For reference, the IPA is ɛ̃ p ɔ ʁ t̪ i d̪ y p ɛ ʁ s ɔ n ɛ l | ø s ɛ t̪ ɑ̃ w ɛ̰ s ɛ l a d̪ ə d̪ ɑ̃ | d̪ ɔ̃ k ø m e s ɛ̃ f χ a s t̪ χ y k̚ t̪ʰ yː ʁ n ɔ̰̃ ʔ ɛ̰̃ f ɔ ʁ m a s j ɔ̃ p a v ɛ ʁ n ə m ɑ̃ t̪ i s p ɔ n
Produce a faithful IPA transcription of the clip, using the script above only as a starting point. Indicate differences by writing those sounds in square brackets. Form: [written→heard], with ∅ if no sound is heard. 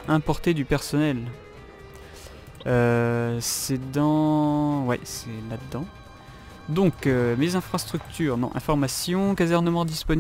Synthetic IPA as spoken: ɛ̃ p ɔ ʁ t̪ [i→e] d̪ y p ɛ ʁ s ɔ n ɛ l | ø s ɛ [t̪→d̪] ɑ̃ w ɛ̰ s ɛ l a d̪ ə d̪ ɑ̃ | d̪ ɔ̃ k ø m e [s→z] ɛ̃ f χ a s t̪ χ y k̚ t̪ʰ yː ʁ n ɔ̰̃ ʔ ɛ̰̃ f ɔ ʁ m a s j ɔ̃ [p→k] a [v→z] ɛ ʁ n ə m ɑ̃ [t̪→d̪] i s p ɔ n